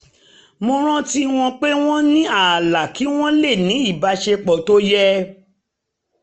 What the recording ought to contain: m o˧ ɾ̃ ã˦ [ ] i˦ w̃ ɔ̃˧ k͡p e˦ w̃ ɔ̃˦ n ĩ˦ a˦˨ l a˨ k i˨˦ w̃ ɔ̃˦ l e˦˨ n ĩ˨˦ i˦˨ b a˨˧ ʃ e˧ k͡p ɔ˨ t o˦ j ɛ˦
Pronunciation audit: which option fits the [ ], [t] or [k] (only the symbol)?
t